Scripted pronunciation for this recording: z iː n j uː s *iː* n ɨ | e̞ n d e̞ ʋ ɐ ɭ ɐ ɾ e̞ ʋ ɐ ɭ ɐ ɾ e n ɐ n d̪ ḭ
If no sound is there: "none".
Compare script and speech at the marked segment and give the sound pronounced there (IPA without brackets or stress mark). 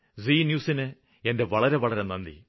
i